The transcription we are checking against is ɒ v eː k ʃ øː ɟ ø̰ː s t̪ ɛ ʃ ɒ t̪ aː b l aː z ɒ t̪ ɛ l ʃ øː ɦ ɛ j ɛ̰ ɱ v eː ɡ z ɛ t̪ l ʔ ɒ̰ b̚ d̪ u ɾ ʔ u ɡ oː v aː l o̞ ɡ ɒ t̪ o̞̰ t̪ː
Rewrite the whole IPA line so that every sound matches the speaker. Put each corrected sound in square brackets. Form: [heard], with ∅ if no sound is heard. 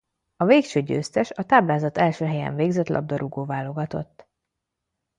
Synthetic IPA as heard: ɒ v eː k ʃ øː ɟ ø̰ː s t̪ ɛ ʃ ɒ t̪ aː b l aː z ɒ t̪ ɛ l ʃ øː ɦ ɛ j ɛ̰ ɱ v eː ɡ z ɛ t̪ l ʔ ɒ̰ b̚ d̪ [ɒ] ɾ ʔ u ɡ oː v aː l o̞ ɡ ɒ t̪ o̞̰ t̪ː